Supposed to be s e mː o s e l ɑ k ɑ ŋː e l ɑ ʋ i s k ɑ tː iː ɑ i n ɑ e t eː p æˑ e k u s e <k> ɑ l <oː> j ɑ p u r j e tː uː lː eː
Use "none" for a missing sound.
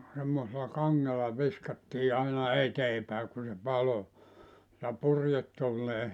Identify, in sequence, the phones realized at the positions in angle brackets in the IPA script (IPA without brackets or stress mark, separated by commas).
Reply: p, o